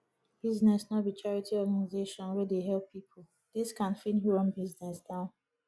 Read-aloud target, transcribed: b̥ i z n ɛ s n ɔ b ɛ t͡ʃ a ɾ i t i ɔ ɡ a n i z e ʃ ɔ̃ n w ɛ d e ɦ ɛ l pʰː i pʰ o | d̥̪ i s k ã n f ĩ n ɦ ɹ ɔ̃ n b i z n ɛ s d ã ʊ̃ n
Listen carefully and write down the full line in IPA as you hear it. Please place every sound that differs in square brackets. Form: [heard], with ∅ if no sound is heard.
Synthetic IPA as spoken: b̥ i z n ɛ s n ɔ b [i] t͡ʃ a [ɹ] i t i ɔ ɡ a n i z e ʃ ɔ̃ n w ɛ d e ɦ ɛ l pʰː i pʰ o | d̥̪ i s k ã n f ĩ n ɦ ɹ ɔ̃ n b i z n ɛ s d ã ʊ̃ n